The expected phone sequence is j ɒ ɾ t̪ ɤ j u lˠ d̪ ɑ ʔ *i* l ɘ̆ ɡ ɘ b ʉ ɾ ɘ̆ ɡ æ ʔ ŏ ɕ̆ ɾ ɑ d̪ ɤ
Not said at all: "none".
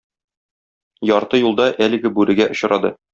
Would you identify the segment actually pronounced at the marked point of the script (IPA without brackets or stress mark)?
æ